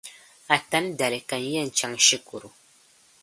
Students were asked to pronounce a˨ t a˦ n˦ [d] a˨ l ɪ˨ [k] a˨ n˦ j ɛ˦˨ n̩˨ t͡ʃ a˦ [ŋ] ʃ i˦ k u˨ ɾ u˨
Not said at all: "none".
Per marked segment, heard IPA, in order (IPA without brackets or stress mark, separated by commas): d, k, ŋ